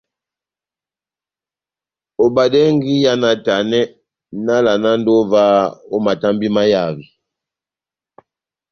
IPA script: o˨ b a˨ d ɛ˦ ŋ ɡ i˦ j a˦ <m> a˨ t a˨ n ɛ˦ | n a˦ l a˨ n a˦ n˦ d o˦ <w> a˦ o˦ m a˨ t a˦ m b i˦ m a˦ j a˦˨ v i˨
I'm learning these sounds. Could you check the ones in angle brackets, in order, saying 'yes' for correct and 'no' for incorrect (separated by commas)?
no, no